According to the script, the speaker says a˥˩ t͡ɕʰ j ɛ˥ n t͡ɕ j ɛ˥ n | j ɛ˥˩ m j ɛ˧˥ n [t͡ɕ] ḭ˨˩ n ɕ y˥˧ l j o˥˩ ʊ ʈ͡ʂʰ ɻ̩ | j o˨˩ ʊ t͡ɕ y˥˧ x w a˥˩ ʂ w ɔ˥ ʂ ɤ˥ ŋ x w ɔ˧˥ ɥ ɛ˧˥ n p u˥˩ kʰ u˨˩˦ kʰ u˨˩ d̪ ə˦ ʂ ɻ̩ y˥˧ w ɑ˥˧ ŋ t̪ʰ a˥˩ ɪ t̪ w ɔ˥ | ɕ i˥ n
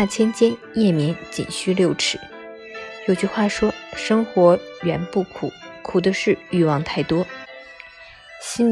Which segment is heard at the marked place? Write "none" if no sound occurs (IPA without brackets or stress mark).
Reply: t͡ɕ